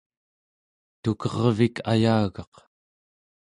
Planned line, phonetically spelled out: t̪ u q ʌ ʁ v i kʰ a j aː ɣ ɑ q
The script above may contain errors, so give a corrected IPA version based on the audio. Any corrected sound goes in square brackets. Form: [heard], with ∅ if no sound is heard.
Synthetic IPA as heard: t̪ u [k] ʌ ʁ v i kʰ a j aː ɣ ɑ q